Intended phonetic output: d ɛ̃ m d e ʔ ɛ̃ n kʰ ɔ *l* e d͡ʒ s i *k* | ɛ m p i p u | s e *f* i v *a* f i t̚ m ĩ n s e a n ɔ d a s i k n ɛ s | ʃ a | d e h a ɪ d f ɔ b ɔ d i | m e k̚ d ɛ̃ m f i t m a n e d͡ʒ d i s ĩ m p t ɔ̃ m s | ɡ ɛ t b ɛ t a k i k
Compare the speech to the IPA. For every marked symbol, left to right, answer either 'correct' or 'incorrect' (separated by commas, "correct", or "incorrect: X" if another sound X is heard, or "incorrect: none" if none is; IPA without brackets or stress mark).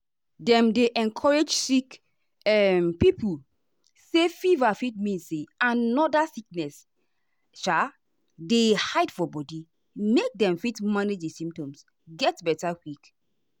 incorrect: ɹ, correct, correct, correct